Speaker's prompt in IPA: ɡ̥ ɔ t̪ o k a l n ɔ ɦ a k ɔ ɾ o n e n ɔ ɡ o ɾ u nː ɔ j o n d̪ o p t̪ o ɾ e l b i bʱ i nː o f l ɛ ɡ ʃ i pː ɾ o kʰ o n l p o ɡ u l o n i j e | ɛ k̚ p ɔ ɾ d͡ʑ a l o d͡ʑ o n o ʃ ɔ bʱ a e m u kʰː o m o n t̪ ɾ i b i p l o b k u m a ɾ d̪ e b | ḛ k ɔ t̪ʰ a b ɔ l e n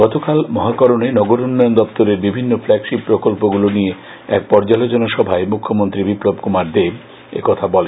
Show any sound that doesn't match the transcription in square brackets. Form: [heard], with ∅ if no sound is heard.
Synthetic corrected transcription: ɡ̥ ɔ t̪ o k a l [m] ɔ ɦ a k ɔ ɾ o n e n ɔ ɡ o ɾ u nː ɔ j o n d̪ [ɔ] p t̪ o ɾ e [ɾ] b i bʱ i nː o f l ɛ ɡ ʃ i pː ɾ o [k] o [∅] l p o ɡ u l o n i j e | ɛ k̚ p ɔ ɾ d͡ʑ a l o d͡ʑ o n o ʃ ɔ bʱ a e m u kʰː o m o n t̪ ɾ i b i p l o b k u m a ɾ d̪ e b | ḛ k ɔ t̪ʰ a b ɔ l e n